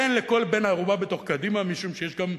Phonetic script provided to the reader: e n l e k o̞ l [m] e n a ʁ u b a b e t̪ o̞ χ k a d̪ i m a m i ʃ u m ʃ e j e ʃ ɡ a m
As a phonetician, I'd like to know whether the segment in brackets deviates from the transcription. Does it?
yes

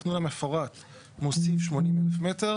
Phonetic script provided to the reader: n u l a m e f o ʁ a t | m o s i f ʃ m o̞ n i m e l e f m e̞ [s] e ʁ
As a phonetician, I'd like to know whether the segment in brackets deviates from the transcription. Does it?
yes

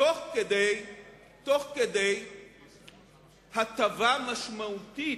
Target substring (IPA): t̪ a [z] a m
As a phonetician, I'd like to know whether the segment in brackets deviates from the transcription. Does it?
yes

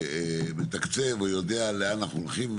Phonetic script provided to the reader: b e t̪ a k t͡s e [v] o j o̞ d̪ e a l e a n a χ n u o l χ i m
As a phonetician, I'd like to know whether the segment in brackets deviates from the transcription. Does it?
no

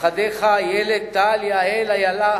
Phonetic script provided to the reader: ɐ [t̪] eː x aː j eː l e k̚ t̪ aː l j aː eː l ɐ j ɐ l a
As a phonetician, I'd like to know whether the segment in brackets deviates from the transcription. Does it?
yes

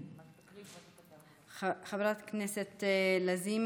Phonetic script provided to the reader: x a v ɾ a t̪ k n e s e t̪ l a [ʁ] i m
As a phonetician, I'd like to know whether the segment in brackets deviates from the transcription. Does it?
yes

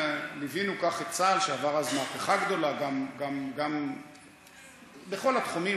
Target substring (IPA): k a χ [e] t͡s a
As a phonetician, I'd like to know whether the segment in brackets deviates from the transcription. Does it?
no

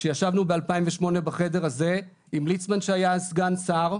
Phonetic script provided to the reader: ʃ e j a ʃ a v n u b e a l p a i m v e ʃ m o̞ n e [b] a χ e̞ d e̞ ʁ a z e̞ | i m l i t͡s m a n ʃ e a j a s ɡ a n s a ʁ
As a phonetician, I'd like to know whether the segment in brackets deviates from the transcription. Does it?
no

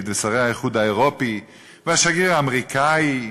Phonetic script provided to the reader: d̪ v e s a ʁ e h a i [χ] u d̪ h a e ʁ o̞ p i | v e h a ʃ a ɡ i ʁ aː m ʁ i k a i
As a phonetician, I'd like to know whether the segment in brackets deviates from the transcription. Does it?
no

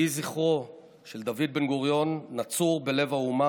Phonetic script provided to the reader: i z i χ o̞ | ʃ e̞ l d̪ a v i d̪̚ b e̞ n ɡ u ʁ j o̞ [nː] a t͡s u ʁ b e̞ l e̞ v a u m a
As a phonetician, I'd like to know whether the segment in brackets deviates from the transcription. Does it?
no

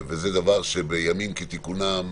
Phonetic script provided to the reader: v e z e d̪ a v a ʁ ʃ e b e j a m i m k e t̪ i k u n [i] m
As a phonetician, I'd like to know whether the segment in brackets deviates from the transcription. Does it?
yes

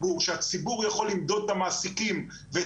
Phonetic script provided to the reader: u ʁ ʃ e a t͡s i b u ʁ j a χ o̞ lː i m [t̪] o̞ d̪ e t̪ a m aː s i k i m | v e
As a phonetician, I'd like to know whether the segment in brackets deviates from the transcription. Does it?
yes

